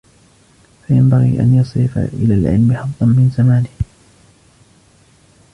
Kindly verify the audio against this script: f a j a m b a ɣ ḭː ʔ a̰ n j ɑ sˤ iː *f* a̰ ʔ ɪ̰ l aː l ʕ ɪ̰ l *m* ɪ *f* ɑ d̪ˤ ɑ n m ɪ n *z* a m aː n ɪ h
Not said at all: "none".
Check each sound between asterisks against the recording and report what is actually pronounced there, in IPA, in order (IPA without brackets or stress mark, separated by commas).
f, m, ħ, z